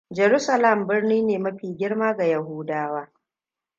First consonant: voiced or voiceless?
voiced